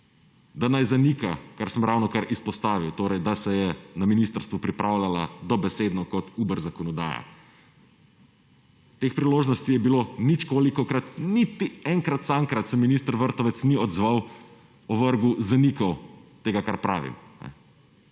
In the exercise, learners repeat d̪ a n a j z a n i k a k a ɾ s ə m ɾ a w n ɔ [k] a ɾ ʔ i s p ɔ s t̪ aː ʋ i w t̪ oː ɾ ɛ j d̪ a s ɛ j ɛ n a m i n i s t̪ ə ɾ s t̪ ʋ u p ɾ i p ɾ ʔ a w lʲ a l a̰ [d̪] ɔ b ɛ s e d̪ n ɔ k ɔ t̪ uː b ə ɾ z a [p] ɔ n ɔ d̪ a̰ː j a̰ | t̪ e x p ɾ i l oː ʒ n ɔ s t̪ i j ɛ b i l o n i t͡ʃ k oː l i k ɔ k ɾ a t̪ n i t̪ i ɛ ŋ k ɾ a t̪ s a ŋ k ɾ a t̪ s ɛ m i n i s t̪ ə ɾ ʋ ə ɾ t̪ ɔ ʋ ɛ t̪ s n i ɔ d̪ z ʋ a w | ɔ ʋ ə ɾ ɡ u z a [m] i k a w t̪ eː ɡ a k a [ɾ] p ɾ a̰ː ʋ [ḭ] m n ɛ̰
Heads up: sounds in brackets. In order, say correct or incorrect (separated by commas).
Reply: correct, correct, incorrect, incorrect, correct, correct